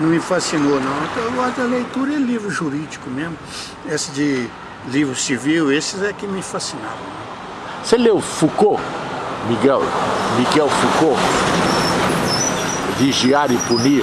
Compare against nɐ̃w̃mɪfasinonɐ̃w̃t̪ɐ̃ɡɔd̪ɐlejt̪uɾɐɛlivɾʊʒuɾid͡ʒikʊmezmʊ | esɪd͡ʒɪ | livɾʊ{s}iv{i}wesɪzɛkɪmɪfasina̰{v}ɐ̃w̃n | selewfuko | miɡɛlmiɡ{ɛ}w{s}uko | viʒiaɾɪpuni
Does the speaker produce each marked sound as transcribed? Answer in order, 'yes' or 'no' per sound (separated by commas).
yes, yes, yes, yes, no